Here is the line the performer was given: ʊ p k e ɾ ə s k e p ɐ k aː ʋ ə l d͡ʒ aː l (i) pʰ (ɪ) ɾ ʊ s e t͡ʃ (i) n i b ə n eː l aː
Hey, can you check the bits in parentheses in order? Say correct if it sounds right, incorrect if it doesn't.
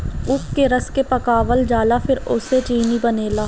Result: incorrect: a, correct, incorrect: iː

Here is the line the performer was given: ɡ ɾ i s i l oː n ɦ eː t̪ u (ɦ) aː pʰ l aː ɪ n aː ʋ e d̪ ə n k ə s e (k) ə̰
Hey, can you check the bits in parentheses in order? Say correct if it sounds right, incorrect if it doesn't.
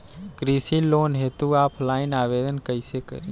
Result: incorrect: none, correct

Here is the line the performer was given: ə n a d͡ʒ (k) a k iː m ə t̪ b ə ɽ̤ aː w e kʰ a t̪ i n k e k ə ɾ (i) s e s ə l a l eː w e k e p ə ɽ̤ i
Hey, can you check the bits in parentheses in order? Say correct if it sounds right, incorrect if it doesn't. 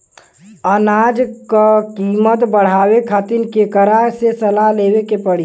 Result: correct, incorrect: a

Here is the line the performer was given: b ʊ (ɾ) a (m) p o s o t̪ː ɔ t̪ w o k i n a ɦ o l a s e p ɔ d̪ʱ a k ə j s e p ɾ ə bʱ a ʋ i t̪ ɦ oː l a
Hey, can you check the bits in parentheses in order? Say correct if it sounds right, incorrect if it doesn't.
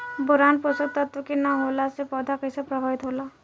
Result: correct, incorrect: n

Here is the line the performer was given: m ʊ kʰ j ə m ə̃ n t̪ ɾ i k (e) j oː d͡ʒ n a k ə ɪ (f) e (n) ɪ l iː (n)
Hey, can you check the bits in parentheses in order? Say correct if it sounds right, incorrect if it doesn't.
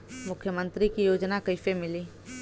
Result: incorrect: i, correct, incorrect: m, incorrect: none

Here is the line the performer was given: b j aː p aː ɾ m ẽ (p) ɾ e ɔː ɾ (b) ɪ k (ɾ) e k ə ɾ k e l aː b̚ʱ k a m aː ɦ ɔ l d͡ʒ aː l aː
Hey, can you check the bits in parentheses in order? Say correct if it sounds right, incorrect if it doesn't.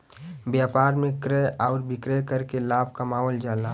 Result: incorrect: k, correct, correct

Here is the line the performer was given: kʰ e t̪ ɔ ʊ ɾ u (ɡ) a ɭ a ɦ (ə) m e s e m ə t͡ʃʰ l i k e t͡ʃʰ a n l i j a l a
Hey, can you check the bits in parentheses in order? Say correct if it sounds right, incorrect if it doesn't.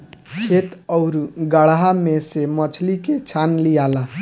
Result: correct, incorrect: a

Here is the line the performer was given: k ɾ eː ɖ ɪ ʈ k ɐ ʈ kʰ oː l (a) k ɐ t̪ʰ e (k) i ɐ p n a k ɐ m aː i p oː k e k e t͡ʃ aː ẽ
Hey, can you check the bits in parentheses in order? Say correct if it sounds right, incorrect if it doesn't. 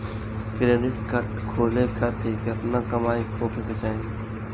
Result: incorrect: e, correct

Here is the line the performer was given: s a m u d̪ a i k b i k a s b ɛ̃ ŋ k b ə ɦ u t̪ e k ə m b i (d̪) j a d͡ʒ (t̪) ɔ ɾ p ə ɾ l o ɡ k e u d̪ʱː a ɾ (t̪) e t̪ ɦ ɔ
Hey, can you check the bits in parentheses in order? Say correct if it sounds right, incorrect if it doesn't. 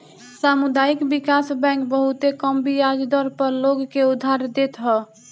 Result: incorrect: none, incorrect: d̪, incorrect: d̪

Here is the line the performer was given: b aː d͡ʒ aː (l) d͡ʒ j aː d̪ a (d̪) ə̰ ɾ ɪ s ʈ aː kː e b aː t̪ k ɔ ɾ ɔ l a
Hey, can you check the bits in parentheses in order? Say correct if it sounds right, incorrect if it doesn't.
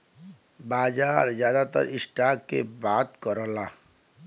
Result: incorrect: ɾ, incorrect: t̪

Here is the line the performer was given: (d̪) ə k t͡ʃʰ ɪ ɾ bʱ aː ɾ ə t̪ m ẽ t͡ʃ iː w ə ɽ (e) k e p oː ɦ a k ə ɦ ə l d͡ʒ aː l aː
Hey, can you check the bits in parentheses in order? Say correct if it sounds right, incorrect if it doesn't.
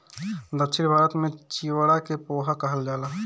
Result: correct, incorrect: a

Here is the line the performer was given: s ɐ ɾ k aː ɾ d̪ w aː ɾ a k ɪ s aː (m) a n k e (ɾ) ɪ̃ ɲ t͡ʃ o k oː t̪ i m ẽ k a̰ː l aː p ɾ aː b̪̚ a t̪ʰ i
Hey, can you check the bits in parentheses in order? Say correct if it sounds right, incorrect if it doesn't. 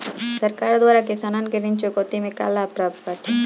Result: incorrect: n, correct

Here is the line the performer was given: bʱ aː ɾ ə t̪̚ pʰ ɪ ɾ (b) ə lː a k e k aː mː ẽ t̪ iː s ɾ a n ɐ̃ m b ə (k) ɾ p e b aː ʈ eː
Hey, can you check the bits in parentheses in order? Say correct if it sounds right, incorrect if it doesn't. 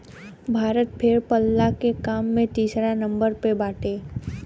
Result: incorrect: p, incorrect: none

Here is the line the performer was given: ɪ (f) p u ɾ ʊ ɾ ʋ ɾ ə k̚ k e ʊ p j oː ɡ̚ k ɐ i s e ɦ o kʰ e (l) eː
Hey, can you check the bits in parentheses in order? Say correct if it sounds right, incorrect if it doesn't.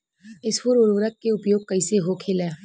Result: incorrect: s, correct

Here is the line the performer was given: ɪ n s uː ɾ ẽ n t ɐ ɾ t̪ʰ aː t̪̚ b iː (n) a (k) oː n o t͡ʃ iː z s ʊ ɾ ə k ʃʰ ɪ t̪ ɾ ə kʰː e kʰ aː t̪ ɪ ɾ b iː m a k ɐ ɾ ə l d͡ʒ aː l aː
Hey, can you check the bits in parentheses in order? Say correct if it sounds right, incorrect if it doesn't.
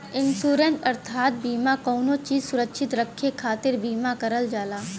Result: incorrect: m, correct

